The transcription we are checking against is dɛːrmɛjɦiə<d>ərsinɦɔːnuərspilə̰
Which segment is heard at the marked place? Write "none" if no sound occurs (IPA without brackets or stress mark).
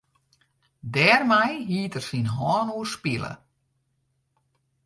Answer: t